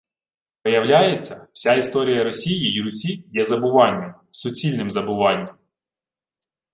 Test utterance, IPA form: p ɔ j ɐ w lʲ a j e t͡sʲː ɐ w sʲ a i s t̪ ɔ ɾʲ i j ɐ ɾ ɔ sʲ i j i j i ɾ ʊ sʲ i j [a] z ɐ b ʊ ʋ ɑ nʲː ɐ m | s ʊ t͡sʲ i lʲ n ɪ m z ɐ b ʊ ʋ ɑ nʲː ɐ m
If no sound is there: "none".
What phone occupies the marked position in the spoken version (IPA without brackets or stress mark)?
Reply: ɛ